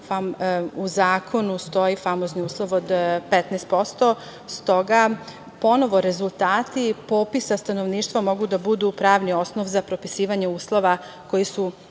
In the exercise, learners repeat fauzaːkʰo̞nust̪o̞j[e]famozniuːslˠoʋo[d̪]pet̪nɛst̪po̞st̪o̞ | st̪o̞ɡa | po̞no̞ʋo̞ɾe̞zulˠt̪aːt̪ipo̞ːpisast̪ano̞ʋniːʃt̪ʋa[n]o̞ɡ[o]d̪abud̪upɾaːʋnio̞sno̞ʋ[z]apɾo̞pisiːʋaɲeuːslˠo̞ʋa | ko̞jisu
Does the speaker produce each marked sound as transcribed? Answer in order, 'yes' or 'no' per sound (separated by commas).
no, yes, no, no, yes